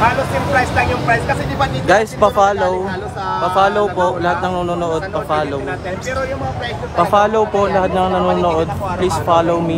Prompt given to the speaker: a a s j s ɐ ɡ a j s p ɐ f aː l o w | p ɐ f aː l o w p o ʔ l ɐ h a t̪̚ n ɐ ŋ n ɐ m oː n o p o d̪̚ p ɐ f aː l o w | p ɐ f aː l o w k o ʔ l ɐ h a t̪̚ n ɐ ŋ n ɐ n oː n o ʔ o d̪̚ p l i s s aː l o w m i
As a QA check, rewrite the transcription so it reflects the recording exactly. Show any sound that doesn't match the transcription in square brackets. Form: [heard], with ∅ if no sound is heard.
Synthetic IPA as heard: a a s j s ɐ ɡ a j s p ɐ f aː l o w | p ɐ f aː l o w p o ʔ l ɐ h a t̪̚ n ɐ ŋ n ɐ [n] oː n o [ʔ] o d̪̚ p ɐ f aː l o w | p ɐ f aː l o w [p] o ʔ l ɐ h a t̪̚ n ɐ ŋ n ɐ n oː n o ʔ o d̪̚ p l i s [f] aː l o w m i

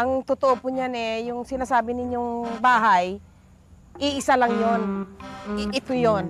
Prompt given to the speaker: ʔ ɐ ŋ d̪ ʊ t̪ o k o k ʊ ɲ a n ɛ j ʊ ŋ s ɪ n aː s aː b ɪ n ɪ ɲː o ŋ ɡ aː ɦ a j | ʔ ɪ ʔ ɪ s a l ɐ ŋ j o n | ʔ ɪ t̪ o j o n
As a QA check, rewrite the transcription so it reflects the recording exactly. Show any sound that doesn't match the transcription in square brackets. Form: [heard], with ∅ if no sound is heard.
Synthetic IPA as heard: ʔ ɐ ŋ [t̪] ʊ t̪ o [ʔ] o [p] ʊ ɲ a n ɛ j ʊ ŋ s ɪ n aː s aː b ɪ n ɪ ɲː o ŋ [b] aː ɦ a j | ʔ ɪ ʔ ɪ s a l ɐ ŋ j o n | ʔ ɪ t̪ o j o n

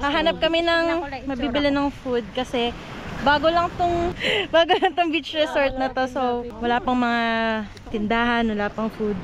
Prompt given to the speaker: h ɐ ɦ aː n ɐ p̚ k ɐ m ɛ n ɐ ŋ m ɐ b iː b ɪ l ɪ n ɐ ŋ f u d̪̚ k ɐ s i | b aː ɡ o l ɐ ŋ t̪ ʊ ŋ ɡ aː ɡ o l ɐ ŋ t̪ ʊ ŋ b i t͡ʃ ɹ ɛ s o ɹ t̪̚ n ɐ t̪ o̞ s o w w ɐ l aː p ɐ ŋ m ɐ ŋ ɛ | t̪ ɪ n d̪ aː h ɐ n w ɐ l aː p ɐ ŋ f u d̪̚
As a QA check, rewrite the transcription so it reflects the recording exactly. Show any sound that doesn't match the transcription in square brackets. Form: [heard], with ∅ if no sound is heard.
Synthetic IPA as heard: h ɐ ɦ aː n ɐ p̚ k ɐ m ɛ n ɐ ŋ m ɐ b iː b ɪ l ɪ n ɐ ŋ f u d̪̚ k ɐ s [ɛ] | b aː ɡ o l ɐ ŋ t̪ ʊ ŋ [b] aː ɡ o l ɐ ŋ t̪ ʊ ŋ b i t͡ʃ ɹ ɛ s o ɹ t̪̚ n ɐ t̪ o̞ s o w w ɐ l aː p ɐ ŋ m ɐ ŋ [a] | t̪ ɪ n d̪ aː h ɐ n w ɐ l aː p ɐ ŋ f u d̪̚

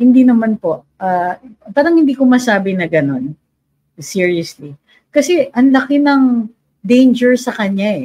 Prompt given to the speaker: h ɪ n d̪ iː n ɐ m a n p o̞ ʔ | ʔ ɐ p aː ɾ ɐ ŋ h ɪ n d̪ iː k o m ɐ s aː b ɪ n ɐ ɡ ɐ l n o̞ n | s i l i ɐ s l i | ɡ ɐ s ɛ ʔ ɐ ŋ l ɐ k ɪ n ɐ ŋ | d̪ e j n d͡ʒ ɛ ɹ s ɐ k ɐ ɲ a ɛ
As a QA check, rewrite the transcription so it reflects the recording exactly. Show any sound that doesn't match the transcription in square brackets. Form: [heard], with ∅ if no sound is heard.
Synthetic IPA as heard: h ɪ n d̪ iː n ɐ m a n p o̞ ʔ | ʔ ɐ p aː ɾ ɐ ŋ h ɪ n d̪ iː k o m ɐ s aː b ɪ n ɐ ɡ ɐ [∅] n o̞ n | s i [ɹ] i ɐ s l i | [k] ɐ s ɛ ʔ ɐ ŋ l ɐ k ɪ n ɐ ŋ | d̪ e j n d͡ʒ ɛ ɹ s ɐ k ɐ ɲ a ɛ

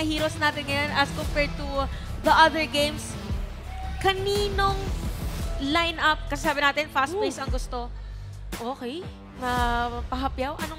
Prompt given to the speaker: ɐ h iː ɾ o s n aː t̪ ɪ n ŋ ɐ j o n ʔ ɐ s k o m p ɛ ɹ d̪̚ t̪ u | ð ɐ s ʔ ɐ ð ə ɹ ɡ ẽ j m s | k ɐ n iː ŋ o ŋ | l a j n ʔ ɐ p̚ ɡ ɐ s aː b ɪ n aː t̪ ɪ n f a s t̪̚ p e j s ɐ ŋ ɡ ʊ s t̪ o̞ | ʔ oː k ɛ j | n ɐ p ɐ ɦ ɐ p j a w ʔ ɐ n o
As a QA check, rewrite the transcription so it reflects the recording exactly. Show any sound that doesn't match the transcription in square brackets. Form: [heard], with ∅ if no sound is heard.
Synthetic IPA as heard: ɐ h iː ɾ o s n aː t̪ ɪ n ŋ ɐ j o n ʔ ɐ s k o m p ɛ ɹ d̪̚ t̪ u | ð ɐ [∅] ʔ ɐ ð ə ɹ ɡ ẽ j m s | k ɐ n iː [n] o ŋ | l a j n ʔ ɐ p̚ [k] ɐ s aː b ɪ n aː t̪ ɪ n f a s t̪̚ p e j s ɐ ŋ ɡ ʊ s t̪ o̞ | ʔ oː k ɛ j | n ɐ p ɐ ɦ ɐ p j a w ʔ ɐ n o

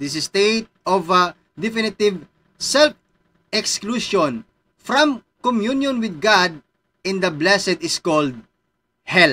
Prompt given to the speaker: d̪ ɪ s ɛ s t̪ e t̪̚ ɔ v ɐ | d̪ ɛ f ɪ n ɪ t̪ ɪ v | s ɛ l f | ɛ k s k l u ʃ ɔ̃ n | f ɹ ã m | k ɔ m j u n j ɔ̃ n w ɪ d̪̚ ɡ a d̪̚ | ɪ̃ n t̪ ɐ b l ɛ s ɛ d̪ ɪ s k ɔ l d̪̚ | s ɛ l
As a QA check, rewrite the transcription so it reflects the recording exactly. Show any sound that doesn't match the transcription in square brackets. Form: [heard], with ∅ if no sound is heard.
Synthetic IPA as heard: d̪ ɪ s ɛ s t̪ e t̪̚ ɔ v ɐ | d̪ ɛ f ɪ n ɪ t̪ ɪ v | s ɛ l f | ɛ k s k l u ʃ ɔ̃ n | f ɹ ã m | k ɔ m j u n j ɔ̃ n w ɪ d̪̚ ɡ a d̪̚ | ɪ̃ n [d̪] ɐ b l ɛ s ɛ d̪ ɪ s k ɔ l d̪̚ | [h] ɛ l

